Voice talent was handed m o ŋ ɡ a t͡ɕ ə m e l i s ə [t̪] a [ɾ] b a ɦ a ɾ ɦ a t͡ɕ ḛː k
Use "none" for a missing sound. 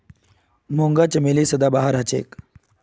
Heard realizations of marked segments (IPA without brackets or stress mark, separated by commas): d̪, none